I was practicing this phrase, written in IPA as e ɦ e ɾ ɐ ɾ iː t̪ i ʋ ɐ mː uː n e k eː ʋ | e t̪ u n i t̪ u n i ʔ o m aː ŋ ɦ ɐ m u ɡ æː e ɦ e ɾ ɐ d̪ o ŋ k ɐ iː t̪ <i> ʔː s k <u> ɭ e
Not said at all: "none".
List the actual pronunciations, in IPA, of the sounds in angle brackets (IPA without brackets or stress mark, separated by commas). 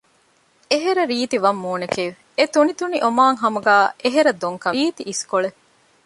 i, o